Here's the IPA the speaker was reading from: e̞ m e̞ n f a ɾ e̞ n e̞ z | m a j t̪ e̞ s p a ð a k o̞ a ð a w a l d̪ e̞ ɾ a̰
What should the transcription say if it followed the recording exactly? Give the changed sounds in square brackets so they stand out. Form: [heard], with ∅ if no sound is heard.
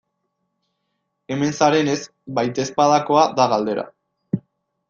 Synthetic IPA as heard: e̞ m e̞ n [s] a ɾ e̞ n e̞ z | [b] a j t̪ e̞ s p a ð a k o̞ a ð a [ɣ] a l d̪ e̞ ɾ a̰

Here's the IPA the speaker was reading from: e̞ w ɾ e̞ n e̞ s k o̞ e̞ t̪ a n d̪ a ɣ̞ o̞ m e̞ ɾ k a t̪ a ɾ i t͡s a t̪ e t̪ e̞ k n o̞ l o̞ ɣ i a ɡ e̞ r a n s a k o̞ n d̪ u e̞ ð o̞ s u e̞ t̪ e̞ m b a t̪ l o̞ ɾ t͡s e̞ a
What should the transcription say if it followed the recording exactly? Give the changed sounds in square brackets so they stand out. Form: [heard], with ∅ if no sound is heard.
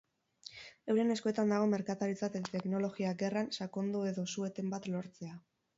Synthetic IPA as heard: e̞ w ɾ e̞ n e̞ s k o̞ e̞ t̪ a n d̪ a ɣ̞ o̞ m e̞ ɾ k a t̪ a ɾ i t͡s a t̪ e t̪ e̞ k n o̞ l o̞ ɣ i a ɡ e̞ r a n s a k o̞ n d̪ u e̞ ð o̞ s u e̞ t̪ e̞ m b a t̪ l o̞ ɾ t͡s e̞ a

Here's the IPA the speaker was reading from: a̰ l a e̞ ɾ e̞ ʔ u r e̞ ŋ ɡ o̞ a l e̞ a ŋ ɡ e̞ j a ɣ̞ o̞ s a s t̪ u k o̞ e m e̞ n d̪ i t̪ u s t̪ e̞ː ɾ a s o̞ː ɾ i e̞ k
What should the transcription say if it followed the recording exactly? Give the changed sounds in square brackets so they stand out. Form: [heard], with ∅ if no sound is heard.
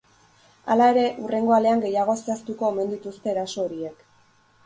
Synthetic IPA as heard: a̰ l a e̞ ɾ e̞ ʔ u r e̞ ŋ ɡ o̞ a l e̞ a ŋ ɡ e̞ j a ɣ̞ o̞ s a s t̪ u k o̞ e m e̞ n d̪ i t̪ u s t̪ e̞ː ɾ a s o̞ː ɾ i e̞ k

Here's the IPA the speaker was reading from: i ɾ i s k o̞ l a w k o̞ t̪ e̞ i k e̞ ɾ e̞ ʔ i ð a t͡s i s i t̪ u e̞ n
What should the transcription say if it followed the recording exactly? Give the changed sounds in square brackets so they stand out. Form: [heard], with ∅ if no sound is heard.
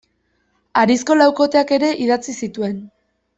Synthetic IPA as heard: [a] ɾ i s k o̞ l a w k o̞ t̪ e̞ [a] k e̞ ɾ e̞ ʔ i ð a t͡s i s i t̪ u e̞ n

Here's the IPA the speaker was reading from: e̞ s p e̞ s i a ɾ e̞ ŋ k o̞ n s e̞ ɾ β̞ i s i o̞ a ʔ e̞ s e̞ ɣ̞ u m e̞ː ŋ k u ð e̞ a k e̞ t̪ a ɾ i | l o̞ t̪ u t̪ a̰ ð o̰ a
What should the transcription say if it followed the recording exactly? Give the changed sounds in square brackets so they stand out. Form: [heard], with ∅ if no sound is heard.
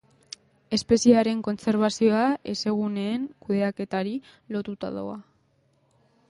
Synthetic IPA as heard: e̞ s p e̞ s i a ɾ e̞ ŋ k o̞ n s e̞ ɾ β̞ [a] s i o̞ a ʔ e̞ s e̞ ɣ̞ u [n] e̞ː ŋ k u ð e̞ a k e̞ t̪ a ɾ i | l o̞ t̪ u t̪ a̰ ð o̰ a

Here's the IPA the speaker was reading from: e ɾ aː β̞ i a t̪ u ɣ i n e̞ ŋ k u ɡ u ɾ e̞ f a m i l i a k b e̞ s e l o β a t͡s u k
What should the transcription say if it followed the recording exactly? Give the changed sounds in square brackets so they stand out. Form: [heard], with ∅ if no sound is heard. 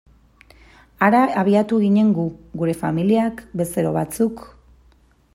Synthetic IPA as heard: [a] ɾ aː β̞ i a t̪ u ɣ i [ɲ] e̞ ŋ [ɡ] u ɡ u ɾ e̞ f a m i l i a k b e̞ s e [ɾ] o β a t͡s u k

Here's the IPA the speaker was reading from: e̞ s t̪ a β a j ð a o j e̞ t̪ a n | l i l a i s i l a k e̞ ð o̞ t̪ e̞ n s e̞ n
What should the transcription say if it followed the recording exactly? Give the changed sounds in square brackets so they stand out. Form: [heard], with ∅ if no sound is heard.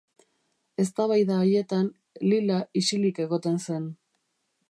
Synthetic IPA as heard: e̞ s t̪ a β a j ð a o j e̞ t̪ a n | l i l a i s i l [i] k e̞ [ɣ] o̞ t̪ e̞ n s e̞ n

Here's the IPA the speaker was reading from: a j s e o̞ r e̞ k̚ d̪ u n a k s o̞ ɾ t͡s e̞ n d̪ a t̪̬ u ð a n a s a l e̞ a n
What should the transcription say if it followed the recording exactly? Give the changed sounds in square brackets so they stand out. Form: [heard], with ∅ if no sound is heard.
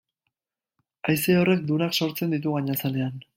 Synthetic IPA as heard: a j s e o̞ r e̞ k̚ d̪ u n a k s o̞ ɾ t͡s e̞ n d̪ [i] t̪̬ u [ɣ] a [ɲ] a s a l e̞ a n

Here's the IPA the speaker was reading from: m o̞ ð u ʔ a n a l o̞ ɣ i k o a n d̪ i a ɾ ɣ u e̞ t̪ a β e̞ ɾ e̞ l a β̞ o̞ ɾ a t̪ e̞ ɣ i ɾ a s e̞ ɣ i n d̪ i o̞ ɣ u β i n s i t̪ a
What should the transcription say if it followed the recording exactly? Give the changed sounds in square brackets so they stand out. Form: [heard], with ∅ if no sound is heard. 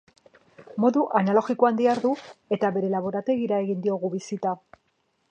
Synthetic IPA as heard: m o̞ ð u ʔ a n a l o̞ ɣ i k o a n d̪ i a ɾ [ð] u e̞ t̪ a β e̞ ɾ e̞ l a β̞ o̞ ɾ a t̪ e̞ ɣ i ɾ a [∅] e̞ ɣ i n d̪ i o̞ ɣ u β i [∅] s i t̪ a

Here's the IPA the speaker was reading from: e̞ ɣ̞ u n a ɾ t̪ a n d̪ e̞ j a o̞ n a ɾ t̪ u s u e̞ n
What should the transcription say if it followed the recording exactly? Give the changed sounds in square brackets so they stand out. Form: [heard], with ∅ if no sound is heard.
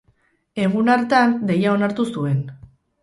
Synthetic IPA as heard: e̞ ɣ̞ u n a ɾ t̪ a n d̪ e̞ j a o̞ n a ɾ t̪ u s u e̞ n

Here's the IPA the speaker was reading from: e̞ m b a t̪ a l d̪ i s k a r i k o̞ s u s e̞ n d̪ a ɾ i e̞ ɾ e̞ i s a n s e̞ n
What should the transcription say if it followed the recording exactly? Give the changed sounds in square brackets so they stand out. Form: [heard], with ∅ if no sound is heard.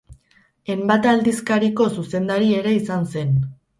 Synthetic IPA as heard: e̞ m b a t̪ a l d̪ i s k a [ɾ] i k o̞ s u s e̞ n d̪ a ɾ i e̞ ɾ e̞ i s a n s e̞ n

